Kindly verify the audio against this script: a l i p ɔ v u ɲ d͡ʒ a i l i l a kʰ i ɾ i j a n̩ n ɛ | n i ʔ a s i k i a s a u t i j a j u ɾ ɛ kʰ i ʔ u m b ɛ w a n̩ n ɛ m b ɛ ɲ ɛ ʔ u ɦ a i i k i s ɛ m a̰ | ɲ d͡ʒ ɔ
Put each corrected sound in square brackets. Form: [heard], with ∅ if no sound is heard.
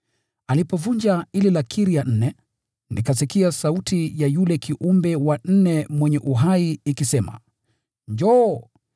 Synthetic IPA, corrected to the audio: a l i p ɔ v u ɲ d͡ʒ a i l i l a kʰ i ɾ i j a n̩ n ɛ | n i [k] a s i k i a s a u t i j a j u [l] ɛ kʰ i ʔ u m b ɛ w a n̩ n ɛ m [w] ɛ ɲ ɛ ʔ u ɦ a i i k i s ɛ m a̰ | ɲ d͡ʒ ɔ